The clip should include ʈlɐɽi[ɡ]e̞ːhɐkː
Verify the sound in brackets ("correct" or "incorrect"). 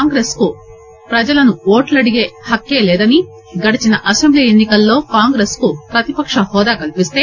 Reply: correct